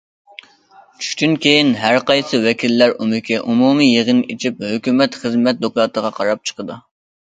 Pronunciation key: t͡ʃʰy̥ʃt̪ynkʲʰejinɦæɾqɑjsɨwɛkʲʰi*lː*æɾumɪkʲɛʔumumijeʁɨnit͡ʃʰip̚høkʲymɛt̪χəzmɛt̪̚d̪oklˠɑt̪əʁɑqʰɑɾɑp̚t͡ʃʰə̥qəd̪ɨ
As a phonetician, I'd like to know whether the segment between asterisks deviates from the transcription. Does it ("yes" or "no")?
no